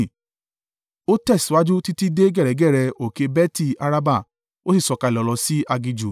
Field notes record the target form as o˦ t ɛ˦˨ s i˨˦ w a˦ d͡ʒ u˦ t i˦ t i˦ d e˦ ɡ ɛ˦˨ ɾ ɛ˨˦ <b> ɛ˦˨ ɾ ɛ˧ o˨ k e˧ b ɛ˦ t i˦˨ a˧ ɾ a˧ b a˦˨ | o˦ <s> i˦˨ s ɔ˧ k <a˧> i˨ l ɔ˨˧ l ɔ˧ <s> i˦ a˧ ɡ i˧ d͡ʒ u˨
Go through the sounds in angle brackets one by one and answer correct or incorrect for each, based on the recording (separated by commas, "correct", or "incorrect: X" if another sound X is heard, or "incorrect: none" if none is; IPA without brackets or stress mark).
incorrect: ɡ, correct, correct, correct